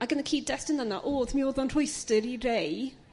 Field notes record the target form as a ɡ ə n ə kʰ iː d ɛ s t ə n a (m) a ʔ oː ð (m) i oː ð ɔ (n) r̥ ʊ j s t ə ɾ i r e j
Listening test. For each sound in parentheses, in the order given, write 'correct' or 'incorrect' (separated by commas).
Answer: incorrect, correct, correct